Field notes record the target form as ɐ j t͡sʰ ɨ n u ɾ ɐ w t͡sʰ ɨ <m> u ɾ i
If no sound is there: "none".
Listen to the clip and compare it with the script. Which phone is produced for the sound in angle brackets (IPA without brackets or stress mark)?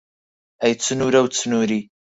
n